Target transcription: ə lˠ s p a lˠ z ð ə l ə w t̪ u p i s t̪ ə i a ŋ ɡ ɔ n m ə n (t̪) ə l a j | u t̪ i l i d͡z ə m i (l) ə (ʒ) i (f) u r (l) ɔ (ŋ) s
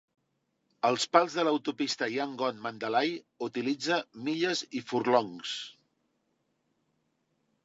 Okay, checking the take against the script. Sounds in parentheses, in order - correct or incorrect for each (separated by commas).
incorrect, incorrect, incorrect, correct, correct, correct